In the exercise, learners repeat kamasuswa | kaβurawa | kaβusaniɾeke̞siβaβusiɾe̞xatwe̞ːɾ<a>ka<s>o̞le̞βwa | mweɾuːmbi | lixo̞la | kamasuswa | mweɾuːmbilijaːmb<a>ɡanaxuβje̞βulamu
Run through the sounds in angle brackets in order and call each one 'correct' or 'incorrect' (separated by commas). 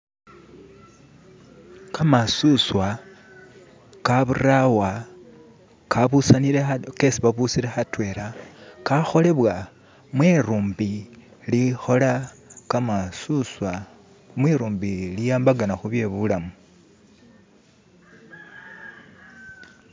correct, incorrect, correct